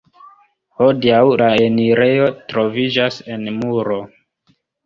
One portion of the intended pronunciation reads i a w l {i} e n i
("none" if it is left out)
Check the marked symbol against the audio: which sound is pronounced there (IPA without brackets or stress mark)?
a